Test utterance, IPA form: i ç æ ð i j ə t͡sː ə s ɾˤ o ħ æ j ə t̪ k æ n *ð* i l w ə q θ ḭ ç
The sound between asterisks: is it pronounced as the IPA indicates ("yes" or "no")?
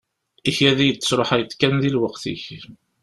yes